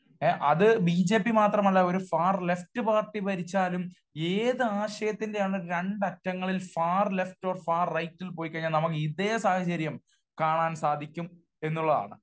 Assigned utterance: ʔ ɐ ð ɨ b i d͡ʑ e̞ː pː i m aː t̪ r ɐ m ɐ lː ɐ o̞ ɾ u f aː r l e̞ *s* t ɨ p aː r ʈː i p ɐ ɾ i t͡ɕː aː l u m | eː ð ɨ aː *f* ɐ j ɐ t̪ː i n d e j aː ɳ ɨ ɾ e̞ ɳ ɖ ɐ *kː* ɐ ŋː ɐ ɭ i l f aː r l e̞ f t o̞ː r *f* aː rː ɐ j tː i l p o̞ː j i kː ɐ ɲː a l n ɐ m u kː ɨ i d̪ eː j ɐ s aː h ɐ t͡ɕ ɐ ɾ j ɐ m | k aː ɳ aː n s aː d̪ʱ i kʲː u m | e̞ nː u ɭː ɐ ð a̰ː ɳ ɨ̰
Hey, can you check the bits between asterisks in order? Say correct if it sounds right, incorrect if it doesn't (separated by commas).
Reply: incorrect, incorrect, incorrect, correct